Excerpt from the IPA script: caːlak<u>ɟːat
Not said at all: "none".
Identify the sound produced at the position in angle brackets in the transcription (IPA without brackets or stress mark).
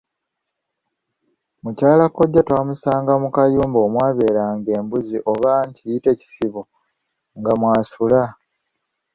o